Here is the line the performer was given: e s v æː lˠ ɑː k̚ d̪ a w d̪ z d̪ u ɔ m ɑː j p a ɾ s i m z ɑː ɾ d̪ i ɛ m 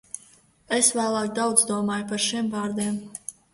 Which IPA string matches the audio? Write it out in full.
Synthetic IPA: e s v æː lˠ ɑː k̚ d̪ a w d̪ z d̪ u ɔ m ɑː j p a ɾ ʃ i m v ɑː ɾ d̪ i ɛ m